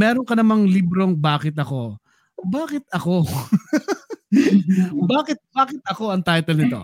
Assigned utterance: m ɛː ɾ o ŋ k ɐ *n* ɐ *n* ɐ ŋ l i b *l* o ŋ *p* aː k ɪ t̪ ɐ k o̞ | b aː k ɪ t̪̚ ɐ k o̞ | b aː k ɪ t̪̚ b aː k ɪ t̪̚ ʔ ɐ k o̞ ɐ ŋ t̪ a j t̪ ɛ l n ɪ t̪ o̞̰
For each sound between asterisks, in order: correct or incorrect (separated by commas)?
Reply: correct, incorrect, incorrect, incorrect